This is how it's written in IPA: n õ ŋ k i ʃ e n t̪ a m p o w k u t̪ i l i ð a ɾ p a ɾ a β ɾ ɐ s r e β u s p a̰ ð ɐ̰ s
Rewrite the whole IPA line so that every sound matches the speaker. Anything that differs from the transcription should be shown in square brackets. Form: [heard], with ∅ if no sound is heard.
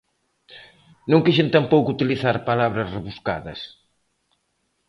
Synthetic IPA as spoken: n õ ŋ k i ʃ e n t̪ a m p o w k u t̪ i l i [θ] a ɾ p a [l] a β ɾ ɐ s r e β u s [k] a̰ ð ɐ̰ s